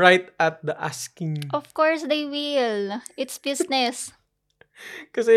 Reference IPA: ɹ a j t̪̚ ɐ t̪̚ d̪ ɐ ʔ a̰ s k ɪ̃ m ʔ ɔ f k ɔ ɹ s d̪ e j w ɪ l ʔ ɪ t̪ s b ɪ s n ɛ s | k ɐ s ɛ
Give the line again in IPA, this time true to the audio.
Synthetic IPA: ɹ a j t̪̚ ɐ t̪̚ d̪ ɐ ʔ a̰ s k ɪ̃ ŋ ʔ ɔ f k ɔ ɹ s d̪ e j w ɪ l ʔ ɪ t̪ s b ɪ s n ɛ s | k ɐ s ɛ